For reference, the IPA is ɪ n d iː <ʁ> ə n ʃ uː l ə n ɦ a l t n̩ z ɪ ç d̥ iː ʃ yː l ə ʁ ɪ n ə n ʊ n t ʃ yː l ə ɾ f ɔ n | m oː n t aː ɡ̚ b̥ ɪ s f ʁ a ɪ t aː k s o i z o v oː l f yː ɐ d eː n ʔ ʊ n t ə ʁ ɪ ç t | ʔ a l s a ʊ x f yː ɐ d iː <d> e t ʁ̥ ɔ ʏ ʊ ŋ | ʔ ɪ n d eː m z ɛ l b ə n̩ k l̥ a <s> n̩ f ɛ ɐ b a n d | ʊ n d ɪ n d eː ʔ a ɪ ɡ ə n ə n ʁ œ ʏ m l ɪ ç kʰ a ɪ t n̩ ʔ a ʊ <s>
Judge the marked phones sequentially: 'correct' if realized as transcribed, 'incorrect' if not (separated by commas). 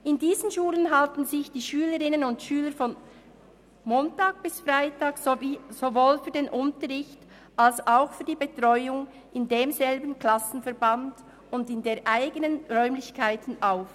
incorrect, incorrect, correct, incorrect